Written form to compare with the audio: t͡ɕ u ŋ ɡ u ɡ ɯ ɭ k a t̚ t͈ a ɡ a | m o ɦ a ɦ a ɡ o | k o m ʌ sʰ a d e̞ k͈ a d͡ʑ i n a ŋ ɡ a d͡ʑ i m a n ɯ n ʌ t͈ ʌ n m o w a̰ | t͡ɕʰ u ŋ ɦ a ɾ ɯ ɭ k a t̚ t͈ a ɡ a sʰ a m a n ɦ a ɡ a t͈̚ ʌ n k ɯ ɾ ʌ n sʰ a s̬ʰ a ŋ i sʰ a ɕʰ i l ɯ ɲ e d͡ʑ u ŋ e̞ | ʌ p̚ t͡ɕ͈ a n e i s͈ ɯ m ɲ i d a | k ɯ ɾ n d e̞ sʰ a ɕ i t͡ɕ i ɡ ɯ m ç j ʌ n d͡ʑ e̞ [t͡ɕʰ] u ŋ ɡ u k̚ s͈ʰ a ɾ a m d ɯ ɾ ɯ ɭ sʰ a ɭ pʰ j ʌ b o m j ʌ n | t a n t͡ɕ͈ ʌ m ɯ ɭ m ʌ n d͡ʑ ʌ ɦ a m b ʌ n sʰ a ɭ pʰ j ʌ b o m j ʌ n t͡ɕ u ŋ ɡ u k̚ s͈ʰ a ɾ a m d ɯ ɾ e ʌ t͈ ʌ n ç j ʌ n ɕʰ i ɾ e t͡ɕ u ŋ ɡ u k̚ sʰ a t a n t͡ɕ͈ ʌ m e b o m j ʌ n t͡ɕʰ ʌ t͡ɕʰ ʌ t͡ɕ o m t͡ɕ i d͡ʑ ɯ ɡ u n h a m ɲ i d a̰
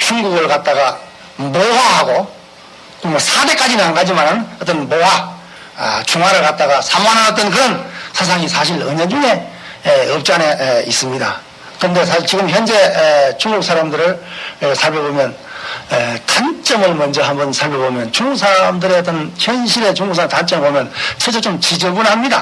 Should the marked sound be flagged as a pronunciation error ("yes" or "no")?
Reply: yes